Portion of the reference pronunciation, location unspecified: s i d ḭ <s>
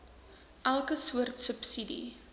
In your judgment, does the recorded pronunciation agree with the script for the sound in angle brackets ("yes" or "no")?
no